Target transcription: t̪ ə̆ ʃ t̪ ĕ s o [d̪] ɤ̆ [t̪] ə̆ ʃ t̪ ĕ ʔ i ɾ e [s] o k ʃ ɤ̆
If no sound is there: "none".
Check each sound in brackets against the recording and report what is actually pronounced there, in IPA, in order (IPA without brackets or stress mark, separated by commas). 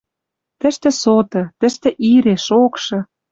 t̪, t̪, ʃ